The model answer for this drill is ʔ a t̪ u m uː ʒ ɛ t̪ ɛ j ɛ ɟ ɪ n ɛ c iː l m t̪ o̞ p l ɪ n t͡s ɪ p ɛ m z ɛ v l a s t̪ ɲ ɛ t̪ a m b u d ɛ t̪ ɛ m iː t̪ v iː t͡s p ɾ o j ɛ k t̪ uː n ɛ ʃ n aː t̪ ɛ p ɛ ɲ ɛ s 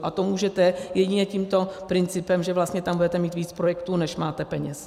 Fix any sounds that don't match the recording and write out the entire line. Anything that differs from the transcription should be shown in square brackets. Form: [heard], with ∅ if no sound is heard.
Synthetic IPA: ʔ a t̪ [o] m uː ʒ ɛ t̪ ɛ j ɛ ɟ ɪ [ɲ] ɛ c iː [∅] m t̪ o̞ p [ɾ] ɪ n t͡s ɪ p ɛ m [ʒ] ɛ v l a s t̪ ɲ ɛ t̪ a m b u d ɛ t̪ ɛ m iː t̪ v iː t͡s p ɾ o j ɛ k t̪ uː n ɛ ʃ [m] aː t̪ ɛ p ɛ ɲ ɛ s